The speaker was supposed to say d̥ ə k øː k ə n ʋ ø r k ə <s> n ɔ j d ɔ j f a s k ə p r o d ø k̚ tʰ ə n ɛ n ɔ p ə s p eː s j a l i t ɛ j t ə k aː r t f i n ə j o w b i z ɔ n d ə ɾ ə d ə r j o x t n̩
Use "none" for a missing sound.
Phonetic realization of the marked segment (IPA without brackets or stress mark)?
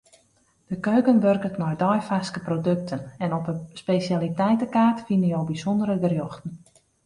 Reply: t